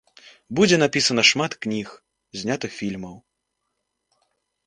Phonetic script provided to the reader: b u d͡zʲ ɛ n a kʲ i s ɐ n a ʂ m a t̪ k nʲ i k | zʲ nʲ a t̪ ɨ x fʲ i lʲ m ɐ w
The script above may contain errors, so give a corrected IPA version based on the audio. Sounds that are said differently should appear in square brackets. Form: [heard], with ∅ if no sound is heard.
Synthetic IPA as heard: b u d͡zʲ ɛ n a [pʲ] i s ɐ n [ɐ] ʂ m a t̪ k nʲ i [x] | zʲ nʲ a t̪ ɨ x fʲ i lʲ m ɐ w